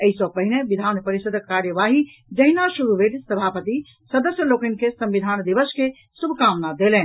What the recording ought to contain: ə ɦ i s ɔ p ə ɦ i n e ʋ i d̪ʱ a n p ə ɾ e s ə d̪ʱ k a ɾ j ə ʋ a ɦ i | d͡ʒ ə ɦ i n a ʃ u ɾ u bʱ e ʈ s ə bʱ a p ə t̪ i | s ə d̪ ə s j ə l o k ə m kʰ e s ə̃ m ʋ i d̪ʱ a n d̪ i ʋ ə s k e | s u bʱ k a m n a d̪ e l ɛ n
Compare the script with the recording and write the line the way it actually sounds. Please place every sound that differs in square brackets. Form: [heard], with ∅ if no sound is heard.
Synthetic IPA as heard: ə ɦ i s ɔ p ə ɦ i n e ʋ i d̪ʱ a n p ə ɾ [i] s ə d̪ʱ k a ɾ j ə ʋ a ɦ i | d͡ʒ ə ɦ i n a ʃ u ɾ u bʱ e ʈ s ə bʱ a p ə t̪ i | s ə d̪ ə s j ə l o k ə [n] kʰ e s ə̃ m ʋ i d̪ʱ a n d̪ i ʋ ə s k e | s u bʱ k a m n a d̪ e l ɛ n